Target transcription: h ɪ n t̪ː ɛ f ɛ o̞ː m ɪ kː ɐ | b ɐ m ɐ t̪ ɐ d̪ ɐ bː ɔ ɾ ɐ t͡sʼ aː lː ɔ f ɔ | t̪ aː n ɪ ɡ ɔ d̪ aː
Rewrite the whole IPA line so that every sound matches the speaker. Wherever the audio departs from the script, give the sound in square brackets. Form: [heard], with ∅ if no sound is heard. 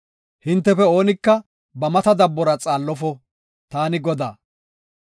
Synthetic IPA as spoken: h ɪ n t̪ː ɛ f ɛ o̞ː [n] ɪ kː ɐ | b ɐ m ɐ t̪ ɐ d̪ ɐ bː ɔ ɾ ɐ t͡sʼ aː lː ɔ f ɔ | t̪ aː n ɪ ɡ ɔ d̪ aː